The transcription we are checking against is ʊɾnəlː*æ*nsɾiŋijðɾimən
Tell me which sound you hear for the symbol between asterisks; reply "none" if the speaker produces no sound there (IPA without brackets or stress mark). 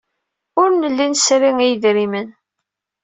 i